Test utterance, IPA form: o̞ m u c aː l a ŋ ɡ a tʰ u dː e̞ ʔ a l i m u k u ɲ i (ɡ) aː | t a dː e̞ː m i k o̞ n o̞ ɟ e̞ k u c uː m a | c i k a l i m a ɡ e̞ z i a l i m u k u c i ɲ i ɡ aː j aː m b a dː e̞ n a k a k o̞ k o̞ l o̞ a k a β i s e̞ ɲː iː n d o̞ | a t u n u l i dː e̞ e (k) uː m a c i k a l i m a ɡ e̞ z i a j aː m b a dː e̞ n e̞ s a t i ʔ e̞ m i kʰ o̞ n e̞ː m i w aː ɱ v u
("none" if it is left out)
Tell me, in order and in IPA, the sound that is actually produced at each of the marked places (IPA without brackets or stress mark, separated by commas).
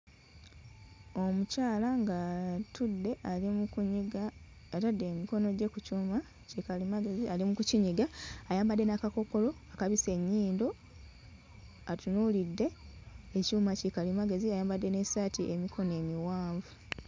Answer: ɡ, c